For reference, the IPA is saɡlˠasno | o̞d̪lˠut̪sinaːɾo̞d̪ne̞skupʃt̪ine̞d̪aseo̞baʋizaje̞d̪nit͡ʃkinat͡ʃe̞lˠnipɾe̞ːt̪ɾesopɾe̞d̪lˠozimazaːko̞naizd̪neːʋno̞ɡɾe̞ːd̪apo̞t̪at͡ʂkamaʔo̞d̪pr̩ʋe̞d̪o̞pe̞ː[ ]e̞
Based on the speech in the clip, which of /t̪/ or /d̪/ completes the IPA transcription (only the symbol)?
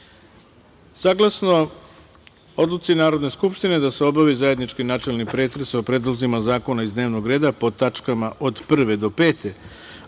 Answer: t̪